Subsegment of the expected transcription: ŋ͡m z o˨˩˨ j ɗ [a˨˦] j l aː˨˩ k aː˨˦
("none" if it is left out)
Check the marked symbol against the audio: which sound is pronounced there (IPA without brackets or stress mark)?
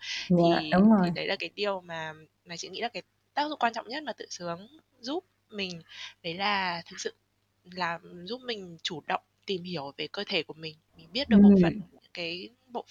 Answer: ə˨˦